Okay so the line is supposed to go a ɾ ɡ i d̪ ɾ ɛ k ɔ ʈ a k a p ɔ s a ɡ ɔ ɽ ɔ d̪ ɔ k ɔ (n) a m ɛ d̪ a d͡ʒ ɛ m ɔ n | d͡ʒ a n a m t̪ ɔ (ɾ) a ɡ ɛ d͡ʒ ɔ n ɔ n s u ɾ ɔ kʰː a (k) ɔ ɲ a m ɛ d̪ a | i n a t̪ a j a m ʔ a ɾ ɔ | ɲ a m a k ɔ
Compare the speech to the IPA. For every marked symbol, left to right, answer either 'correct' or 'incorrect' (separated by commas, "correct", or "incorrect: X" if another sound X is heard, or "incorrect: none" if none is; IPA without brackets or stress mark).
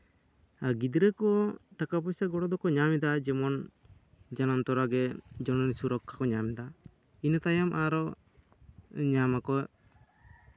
incorrect: ɲ, correct, correct